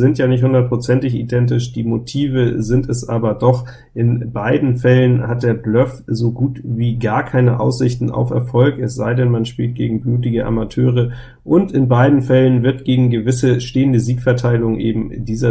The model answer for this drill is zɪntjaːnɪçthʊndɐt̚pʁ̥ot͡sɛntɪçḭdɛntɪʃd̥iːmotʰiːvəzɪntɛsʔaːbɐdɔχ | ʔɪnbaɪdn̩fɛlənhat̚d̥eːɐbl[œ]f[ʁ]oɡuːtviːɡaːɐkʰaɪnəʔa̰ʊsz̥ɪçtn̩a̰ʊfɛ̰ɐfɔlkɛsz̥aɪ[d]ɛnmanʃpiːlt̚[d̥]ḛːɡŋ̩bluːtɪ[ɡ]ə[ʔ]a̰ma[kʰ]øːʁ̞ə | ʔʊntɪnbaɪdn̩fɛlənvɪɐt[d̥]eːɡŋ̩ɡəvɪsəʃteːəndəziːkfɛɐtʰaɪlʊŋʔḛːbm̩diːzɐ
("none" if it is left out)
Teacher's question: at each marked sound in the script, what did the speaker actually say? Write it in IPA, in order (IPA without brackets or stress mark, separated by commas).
œ, z, d, ɡ̥, ɡ, ʔ, tʰ, ɡ̥